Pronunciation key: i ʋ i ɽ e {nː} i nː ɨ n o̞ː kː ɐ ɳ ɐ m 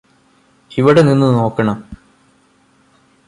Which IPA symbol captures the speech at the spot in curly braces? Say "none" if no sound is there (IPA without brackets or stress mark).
n